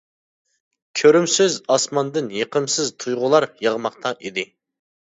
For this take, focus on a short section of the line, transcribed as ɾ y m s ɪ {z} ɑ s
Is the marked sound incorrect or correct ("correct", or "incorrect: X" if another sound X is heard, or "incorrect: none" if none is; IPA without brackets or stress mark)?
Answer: correct